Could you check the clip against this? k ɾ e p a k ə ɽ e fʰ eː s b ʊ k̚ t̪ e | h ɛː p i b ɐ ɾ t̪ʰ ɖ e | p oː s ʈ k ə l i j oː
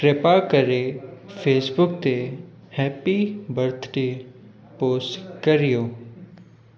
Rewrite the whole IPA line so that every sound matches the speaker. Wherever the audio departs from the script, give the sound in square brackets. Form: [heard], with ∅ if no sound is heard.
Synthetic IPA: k ɾ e p a k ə [ɾ] e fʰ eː s b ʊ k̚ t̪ e | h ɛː p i b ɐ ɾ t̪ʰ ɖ e | p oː s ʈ k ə [ɾ] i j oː